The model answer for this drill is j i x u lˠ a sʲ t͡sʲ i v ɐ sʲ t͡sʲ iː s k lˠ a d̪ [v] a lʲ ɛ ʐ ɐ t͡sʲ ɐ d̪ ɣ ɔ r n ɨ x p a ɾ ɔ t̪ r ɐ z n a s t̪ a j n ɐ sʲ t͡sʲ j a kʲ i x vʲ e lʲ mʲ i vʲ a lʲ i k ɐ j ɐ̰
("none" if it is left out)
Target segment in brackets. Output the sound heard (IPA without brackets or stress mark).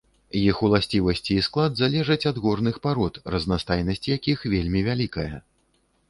z